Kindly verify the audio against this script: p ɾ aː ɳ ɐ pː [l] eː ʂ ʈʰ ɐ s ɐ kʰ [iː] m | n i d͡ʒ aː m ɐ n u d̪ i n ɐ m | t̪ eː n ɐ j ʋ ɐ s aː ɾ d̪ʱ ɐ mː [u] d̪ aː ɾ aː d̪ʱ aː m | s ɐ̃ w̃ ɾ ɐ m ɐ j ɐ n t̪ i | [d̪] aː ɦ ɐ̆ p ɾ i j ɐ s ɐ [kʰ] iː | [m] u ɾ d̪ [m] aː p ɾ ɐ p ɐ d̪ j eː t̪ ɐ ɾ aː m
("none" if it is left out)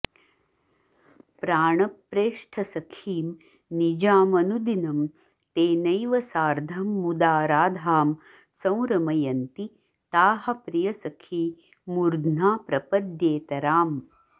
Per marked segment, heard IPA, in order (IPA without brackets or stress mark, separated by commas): ɾ, iː, u, t̪, kʰ, m, n